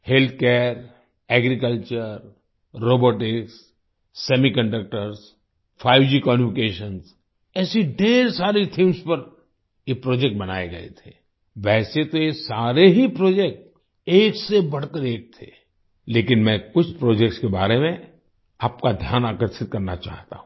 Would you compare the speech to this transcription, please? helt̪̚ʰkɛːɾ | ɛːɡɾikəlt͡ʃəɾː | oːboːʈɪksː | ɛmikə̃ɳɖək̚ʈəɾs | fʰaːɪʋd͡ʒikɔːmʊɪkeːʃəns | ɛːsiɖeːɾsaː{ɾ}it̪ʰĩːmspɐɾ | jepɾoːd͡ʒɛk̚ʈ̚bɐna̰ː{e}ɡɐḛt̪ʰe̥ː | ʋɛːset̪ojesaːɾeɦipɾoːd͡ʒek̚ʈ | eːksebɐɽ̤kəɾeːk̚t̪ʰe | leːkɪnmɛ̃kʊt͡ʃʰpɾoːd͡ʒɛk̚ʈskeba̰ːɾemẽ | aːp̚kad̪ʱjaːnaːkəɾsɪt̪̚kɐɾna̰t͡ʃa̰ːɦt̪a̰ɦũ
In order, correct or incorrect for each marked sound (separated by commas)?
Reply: correct, correct